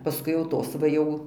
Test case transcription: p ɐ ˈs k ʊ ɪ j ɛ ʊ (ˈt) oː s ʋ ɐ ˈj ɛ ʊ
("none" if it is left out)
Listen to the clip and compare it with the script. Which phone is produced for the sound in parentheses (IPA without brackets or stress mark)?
t